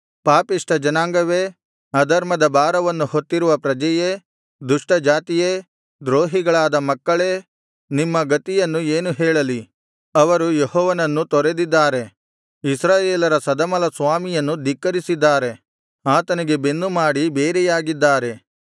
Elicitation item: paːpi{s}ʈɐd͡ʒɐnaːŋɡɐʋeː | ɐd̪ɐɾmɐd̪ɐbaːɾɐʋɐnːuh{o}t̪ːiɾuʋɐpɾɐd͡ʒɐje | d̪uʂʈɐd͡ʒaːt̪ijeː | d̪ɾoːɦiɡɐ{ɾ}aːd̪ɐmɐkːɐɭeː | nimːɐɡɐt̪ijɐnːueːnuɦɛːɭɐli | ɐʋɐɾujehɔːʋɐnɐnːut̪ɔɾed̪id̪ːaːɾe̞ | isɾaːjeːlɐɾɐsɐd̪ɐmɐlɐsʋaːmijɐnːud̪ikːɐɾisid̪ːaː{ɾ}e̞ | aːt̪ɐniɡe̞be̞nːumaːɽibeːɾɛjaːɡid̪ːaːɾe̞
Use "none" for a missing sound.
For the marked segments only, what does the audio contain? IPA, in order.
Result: ʂ, o, ɭ, ɾ

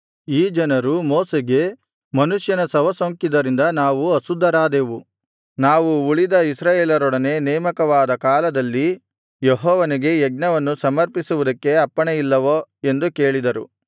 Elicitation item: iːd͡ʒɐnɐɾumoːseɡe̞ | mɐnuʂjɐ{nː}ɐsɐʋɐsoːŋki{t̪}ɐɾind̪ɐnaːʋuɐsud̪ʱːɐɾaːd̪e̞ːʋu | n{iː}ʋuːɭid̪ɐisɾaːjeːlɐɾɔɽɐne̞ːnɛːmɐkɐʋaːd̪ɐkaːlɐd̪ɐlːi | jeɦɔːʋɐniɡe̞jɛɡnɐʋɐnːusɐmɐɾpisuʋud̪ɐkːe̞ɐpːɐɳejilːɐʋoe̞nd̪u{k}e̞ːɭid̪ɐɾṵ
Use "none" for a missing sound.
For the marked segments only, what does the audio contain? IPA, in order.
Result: n, d̪, aː, k

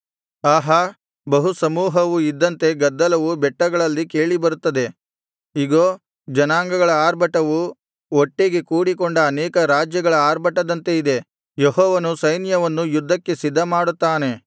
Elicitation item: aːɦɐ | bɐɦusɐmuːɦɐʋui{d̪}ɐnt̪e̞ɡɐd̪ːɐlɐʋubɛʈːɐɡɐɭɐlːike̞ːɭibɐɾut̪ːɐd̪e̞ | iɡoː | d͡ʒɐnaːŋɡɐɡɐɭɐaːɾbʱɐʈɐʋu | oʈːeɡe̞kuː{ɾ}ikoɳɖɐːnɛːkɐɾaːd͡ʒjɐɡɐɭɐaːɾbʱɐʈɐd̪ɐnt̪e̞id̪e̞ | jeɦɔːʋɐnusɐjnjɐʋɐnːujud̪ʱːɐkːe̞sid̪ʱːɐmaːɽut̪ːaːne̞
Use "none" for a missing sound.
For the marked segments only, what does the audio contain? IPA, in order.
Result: d̪ː, ɽ

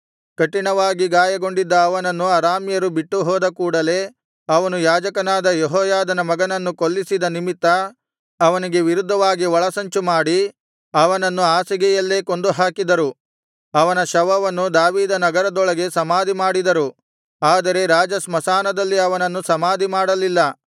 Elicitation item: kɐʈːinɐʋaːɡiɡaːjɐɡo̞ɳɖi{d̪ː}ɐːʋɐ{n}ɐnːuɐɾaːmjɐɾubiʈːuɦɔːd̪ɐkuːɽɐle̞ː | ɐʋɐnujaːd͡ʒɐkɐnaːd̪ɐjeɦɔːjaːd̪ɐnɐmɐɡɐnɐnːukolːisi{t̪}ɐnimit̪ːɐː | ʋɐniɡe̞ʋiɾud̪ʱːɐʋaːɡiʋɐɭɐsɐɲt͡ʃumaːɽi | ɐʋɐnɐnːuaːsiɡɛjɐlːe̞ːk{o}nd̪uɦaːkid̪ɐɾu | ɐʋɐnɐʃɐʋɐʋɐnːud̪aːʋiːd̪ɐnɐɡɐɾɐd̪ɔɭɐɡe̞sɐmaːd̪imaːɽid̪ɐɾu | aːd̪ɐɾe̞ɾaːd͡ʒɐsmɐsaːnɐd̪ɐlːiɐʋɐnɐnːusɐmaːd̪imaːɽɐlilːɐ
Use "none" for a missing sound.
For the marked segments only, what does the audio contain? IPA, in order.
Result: d̪ː, n, d̪, o

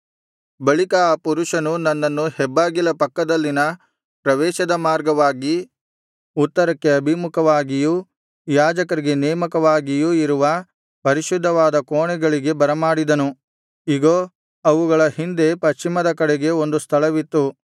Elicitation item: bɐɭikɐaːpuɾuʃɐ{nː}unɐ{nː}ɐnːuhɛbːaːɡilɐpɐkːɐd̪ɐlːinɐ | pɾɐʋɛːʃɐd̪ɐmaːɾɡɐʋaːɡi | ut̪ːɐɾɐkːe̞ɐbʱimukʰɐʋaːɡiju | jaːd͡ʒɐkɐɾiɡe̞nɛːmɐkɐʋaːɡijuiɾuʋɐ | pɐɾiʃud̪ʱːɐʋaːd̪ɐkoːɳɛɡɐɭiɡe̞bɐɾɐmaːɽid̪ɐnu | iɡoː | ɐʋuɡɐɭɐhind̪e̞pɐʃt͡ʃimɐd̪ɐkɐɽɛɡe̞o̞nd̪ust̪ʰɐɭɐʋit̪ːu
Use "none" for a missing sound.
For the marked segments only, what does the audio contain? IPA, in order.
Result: n, nː

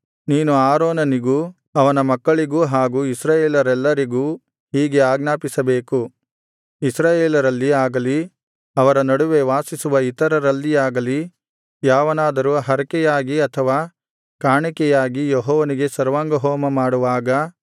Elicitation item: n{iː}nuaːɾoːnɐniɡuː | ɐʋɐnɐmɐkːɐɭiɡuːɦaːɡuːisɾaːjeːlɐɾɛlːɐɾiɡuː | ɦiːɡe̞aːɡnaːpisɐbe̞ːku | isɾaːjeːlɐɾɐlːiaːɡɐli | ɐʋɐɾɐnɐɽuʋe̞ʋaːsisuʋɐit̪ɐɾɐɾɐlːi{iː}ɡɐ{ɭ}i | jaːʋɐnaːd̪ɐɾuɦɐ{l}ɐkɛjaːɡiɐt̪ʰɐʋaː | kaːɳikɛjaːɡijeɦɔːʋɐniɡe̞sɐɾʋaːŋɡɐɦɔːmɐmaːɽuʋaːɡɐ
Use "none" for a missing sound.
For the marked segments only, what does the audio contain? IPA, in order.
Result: iː, aː, l, ɾ

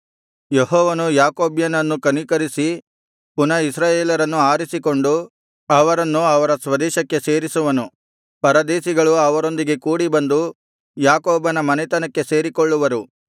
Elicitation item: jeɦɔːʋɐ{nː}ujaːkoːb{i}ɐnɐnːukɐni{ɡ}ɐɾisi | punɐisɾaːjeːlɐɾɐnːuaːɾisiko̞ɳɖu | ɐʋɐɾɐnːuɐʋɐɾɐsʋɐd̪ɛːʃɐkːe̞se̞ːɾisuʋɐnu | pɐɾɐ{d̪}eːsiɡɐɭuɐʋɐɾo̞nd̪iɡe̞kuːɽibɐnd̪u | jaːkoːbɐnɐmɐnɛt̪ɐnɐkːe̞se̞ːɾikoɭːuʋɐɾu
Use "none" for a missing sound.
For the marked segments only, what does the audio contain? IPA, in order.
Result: n, j, k, d̪

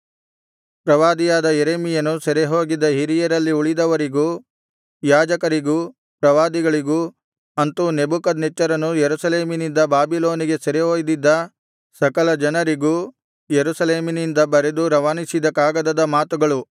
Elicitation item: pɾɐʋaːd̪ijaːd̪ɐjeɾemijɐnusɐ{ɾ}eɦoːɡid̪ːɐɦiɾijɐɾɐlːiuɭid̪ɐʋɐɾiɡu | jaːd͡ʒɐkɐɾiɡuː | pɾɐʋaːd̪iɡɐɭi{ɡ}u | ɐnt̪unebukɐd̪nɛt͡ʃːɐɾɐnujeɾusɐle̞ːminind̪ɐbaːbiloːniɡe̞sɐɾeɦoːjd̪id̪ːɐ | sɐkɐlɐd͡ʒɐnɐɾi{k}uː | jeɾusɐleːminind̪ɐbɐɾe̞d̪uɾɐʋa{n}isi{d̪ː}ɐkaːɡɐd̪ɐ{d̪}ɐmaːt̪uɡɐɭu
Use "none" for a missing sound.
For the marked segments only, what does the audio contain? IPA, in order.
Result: ɾ, ɡ, ɡ, n, d̪, d̪

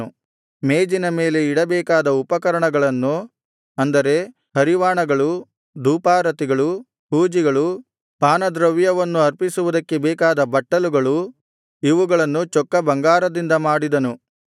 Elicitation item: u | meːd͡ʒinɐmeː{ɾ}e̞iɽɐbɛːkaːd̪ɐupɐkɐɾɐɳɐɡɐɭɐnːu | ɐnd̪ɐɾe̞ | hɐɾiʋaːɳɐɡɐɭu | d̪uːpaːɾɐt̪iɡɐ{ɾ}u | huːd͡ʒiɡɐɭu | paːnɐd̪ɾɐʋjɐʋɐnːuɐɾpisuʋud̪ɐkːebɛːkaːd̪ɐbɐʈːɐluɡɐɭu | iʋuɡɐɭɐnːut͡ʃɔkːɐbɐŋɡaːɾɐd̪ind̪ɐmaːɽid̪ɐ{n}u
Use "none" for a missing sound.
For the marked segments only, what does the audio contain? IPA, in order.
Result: l, ɭ, n

